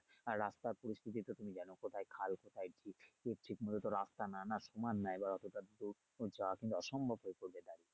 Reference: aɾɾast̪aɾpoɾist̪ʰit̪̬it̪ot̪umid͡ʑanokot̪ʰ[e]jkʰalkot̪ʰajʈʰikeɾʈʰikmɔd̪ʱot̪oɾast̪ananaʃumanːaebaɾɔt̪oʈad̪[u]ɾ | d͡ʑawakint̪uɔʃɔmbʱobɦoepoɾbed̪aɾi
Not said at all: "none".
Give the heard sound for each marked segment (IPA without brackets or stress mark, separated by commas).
a, u